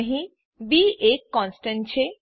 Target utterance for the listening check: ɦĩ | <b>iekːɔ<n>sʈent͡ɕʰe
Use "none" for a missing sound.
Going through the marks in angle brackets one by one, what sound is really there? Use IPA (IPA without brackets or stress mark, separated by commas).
b, n